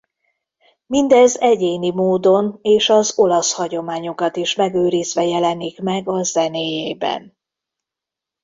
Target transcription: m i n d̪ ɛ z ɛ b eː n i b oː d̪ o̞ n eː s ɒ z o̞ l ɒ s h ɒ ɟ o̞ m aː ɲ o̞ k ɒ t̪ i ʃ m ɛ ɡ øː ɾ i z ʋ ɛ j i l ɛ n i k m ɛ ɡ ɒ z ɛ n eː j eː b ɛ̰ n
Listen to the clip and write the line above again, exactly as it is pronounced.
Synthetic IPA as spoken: m i n d̪ ɛ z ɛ ɟ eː n i m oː d̪ o̞ n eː ʃ ɒ z o̞ l ɒ s h ɒ ɟ o̞ m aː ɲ o̞ k ɒ t̪ i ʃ m ɛ ɡ øː ɾ i z ʋ ɛ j ɛ l ɛ n i k m ɛ ɡ ɒ z ɛ n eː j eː b ɛ̰ n